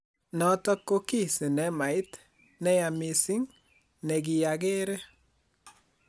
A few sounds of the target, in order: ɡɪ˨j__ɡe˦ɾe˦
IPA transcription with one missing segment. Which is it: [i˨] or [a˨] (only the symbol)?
a˨